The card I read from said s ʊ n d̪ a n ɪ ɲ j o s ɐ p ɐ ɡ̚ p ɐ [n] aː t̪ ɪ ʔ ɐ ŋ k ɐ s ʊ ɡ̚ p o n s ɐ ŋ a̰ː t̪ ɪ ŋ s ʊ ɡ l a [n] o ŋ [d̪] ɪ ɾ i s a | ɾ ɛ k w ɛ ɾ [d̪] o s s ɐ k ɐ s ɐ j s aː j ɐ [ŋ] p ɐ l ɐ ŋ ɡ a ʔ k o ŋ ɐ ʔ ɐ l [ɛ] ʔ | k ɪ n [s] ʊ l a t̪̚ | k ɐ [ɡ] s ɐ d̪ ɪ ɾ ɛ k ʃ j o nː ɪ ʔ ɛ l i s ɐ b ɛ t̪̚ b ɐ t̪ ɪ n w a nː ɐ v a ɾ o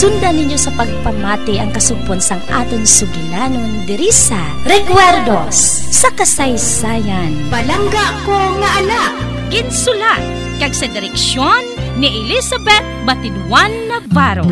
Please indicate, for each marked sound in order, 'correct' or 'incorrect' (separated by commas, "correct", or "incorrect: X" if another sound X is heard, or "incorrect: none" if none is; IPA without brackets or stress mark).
incorrect: m, correct, correct, correct, incorrect: n, incorrect: a, correct, correct